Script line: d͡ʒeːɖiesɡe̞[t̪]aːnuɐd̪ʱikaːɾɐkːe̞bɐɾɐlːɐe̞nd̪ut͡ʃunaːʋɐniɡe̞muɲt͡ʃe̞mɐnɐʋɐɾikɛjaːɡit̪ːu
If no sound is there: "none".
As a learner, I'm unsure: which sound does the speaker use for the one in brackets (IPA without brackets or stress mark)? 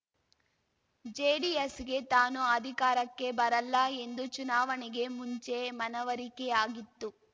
t̪